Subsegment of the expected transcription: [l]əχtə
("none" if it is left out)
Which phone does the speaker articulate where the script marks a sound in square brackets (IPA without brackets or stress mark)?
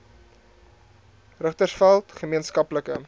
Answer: r